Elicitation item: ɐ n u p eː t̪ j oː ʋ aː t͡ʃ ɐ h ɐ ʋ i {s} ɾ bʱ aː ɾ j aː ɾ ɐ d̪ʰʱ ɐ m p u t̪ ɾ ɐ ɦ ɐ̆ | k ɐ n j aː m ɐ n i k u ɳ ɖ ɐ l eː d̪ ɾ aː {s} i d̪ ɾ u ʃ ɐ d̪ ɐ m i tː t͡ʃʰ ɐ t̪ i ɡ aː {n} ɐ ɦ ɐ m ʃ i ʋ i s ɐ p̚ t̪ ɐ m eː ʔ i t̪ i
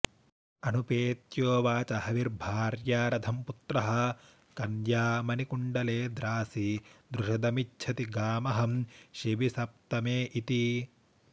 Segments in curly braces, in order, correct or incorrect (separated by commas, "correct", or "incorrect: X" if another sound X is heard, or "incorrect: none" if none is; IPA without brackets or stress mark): incorrect: none, correct, incorrect: m